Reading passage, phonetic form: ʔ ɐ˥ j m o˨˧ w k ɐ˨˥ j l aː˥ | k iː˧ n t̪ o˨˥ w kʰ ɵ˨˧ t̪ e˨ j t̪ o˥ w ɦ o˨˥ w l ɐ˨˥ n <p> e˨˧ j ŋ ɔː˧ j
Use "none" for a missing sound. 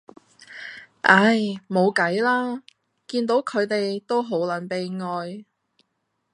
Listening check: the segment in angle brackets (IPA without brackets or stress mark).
p